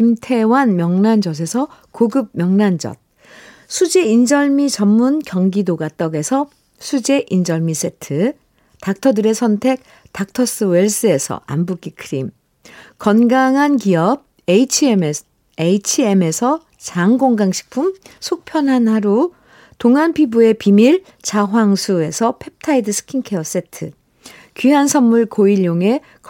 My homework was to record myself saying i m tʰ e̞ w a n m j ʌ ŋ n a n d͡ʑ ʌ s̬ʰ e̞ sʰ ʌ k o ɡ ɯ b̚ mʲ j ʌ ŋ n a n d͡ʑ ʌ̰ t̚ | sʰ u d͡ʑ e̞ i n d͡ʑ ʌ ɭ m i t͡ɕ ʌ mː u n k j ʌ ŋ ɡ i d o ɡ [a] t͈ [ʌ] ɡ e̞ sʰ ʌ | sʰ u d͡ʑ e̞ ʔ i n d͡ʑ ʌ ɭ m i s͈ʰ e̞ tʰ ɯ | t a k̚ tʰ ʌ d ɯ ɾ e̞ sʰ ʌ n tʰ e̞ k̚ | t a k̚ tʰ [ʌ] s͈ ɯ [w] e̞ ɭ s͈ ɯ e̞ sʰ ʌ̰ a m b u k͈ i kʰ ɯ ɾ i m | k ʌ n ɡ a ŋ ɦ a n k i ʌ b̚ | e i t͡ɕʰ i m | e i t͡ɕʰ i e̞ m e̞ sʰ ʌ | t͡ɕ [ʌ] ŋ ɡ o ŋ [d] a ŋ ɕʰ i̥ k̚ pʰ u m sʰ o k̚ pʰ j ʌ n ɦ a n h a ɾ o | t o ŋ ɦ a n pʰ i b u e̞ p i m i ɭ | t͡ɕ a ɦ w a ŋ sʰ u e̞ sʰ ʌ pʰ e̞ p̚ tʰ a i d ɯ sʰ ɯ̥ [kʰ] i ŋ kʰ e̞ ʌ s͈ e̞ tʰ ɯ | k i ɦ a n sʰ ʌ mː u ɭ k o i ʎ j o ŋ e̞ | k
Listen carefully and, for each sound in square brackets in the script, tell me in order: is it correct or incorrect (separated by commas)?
correct, correct, correct, correct, incorrect, incorrect, correct